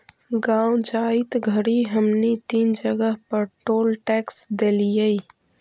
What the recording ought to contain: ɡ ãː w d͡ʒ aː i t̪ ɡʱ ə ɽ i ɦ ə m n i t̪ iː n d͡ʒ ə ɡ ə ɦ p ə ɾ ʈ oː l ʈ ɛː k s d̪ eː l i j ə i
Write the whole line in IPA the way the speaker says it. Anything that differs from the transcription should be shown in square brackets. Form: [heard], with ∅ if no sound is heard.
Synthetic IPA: ɡ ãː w d͡ʒ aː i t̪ ɡʱ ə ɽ i ɦ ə m n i t̪ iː n d͡ʒ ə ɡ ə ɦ p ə ɾ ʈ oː l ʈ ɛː k s d̪ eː l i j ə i